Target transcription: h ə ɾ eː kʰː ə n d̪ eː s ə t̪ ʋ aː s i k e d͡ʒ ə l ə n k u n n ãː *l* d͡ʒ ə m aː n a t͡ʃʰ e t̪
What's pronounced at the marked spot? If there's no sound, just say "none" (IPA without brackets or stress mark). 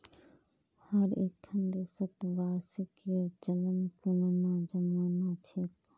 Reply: none